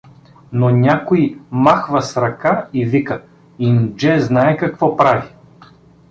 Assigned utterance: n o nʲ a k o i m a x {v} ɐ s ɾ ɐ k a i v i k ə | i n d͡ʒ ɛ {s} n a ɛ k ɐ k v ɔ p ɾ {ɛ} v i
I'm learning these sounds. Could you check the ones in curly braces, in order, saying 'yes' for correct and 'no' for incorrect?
yes, no, no

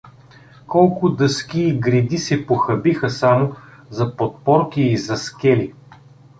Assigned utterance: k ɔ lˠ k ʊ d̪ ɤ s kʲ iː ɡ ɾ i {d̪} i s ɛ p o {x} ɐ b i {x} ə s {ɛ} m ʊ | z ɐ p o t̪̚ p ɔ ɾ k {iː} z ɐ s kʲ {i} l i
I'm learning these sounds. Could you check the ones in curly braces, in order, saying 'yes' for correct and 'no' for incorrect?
yes, yes, yes, no, yes, no

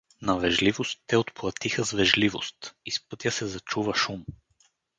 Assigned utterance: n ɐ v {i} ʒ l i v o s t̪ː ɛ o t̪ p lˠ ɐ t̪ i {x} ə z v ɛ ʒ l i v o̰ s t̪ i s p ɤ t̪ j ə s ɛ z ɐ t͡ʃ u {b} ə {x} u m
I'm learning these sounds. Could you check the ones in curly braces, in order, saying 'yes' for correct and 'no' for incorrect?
no, yes, no, no

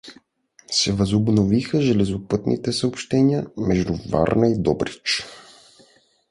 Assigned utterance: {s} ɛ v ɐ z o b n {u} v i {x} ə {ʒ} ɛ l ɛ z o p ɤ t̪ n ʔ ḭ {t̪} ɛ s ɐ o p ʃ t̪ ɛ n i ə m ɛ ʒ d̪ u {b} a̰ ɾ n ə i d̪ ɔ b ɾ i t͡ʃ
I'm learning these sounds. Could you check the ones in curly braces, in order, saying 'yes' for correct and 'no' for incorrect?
yes, no, yes, yes, yes, no

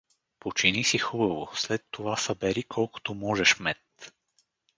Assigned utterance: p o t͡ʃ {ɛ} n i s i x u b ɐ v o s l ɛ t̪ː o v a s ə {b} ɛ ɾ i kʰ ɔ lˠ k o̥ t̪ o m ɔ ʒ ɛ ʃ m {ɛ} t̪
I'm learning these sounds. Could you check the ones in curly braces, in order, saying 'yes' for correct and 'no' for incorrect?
no, yes, yes

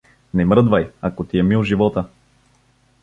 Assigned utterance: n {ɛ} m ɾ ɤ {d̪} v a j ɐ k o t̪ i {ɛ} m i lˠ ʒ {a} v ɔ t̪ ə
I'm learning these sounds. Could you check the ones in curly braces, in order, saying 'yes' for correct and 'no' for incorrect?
yes, yes, yes, no

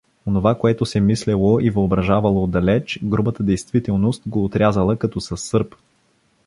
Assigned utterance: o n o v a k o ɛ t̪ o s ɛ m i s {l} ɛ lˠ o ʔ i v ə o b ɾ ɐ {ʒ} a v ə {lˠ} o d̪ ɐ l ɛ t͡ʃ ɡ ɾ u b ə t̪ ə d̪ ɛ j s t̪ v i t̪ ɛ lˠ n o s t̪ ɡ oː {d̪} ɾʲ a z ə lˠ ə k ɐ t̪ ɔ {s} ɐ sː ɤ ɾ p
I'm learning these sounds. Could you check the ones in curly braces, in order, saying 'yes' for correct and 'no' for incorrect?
yes, yes, yes, no, yes

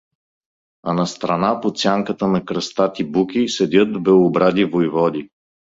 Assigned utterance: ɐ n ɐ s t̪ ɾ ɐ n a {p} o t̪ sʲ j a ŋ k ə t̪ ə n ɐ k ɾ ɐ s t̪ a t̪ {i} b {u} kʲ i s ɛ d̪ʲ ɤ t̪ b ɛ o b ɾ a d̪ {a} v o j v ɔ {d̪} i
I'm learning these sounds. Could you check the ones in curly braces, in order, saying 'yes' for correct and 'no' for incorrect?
yes, yes, yes, no, yes

